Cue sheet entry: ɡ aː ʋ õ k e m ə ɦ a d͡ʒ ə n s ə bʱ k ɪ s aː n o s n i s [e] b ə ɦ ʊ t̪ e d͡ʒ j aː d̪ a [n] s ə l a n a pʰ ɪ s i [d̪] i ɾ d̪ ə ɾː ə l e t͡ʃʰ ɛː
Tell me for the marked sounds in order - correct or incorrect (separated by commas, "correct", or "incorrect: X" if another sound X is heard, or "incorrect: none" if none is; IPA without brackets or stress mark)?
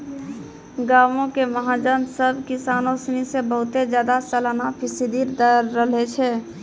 correct, incorrect: none, correct